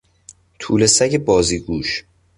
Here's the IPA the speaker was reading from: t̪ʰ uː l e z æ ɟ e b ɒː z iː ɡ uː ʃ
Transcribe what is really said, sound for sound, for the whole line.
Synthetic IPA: t̪ʰ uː l e s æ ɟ e b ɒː z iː ɡ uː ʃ